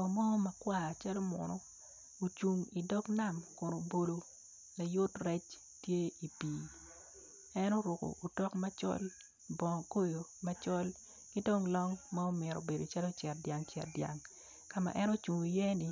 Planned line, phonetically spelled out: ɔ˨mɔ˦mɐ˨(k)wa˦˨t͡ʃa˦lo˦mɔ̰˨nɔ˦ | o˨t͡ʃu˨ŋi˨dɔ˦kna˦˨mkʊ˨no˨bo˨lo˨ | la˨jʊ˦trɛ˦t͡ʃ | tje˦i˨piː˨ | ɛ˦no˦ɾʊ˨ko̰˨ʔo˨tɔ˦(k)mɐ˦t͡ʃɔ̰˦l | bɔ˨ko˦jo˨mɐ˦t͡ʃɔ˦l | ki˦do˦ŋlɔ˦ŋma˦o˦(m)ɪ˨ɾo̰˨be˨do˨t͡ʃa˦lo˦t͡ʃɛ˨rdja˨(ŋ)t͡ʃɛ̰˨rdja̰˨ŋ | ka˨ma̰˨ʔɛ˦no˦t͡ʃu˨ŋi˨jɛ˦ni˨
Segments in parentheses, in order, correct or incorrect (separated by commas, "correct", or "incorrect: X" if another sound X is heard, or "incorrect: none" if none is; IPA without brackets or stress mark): correct, correct, correct, correct